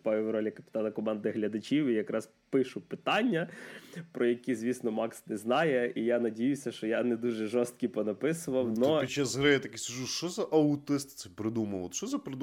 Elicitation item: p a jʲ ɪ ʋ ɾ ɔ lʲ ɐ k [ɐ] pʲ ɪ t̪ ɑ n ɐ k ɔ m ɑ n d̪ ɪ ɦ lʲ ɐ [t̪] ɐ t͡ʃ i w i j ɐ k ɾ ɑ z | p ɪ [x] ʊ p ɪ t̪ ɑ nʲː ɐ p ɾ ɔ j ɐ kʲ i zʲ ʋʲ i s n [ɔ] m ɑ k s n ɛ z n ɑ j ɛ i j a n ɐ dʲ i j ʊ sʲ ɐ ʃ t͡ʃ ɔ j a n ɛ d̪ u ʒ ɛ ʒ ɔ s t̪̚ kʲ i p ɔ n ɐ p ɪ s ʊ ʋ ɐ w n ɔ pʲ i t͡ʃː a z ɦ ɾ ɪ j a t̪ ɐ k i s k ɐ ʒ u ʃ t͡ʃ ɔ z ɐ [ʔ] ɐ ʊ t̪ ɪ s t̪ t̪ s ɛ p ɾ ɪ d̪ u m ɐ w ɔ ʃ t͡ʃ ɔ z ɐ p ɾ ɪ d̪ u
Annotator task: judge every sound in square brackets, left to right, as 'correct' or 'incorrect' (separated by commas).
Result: correct, incorrect, incorrect, correct, correct